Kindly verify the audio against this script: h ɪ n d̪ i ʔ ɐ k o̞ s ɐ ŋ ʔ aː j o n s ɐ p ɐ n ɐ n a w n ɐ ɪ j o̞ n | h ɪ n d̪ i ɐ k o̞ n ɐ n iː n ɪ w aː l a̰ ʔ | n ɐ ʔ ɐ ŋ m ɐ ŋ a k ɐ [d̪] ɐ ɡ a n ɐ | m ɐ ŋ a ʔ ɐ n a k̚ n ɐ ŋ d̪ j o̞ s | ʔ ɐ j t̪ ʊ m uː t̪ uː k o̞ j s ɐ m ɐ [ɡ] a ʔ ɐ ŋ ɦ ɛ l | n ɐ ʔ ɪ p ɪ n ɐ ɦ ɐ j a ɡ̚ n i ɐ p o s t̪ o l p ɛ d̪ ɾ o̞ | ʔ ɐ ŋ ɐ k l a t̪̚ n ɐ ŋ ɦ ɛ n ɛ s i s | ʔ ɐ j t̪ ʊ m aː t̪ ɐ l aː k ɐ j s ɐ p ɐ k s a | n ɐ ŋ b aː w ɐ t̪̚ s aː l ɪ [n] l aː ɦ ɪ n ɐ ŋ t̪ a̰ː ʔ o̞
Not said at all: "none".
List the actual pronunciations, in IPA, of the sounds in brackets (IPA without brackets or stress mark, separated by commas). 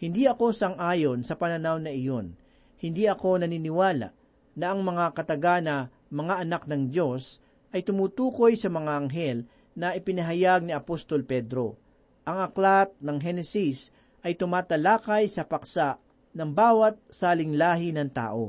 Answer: t̪, ŋ, ŋ